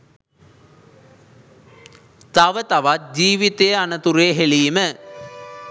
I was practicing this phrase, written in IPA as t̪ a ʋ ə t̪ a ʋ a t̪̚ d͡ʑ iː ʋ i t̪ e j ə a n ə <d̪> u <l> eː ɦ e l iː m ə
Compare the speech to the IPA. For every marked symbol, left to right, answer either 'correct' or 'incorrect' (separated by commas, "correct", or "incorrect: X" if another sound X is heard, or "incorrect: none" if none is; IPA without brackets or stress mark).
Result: incorrect: t̪, incorrect: ɾ